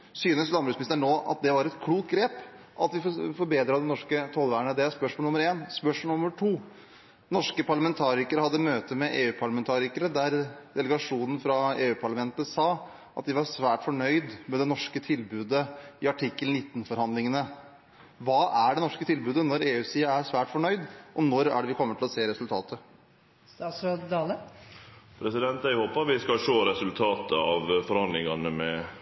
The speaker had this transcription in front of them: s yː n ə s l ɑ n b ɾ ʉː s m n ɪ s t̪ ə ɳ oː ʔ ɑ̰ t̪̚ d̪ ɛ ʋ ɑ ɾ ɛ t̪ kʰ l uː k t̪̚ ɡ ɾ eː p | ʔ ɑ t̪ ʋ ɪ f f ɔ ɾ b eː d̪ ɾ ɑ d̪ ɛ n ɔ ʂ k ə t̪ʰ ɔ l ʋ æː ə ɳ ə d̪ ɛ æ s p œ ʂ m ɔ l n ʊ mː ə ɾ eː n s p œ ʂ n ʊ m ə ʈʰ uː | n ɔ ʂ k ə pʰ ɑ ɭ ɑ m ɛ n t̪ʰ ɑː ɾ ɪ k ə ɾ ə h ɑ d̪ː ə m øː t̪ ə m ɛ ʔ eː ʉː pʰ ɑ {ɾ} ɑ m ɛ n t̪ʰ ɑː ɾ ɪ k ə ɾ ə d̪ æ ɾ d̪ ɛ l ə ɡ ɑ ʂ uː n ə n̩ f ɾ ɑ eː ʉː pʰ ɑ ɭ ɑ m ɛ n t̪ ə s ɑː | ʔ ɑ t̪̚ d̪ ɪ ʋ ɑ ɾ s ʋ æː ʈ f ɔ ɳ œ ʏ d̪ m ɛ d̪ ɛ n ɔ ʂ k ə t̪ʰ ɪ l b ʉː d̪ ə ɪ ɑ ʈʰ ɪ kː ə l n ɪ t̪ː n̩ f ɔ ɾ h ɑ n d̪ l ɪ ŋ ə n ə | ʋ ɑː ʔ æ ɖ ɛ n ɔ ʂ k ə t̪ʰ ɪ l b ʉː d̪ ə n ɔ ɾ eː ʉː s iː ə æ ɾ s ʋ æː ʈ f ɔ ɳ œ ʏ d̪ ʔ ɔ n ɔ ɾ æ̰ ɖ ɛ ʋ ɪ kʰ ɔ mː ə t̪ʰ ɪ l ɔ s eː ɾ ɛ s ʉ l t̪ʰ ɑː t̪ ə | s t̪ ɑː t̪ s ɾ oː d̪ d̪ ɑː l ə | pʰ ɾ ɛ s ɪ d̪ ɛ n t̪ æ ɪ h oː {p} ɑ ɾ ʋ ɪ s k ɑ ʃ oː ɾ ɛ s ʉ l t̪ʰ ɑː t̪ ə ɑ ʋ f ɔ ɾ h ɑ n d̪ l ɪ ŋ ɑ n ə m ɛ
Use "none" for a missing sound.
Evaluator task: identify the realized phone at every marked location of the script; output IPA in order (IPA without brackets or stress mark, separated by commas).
ɭ, p